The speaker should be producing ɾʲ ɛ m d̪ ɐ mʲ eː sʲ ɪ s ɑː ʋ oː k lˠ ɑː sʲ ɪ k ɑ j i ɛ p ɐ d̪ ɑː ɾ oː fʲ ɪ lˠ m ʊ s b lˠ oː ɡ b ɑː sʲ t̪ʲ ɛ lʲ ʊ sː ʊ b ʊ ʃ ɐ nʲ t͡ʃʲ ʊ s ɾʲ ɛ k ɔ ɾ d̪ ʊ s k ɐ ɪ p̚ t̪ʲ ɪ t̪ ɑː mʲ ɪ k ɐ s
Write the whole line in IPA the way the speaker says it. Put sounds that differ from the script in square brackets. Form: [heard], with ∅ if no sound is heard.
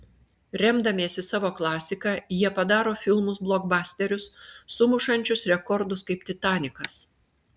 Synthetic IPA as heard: ɾʲ ɛ m d̪ ɐ mʲ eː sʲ ɪ s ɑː ʋ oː k lˠ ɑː sʲ ɪ k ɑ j i ɛ p ɐ d̪ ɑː ɾ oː fʲ ɪ lˠ m ʊ s b lˠ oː ɡ b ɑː sʲ t̪ʲ ɛ [ɾʲ] ʊ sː ʊ [m] ʊ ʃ ɐ nʲ t͡ʃʲ ʊ s ɾʲ ɛ k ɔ ɾ d̪ ʊ s k ɐ ɪ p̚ t̪ʲ ɪ t̪ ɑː [nʲ] ɪ k ɐ s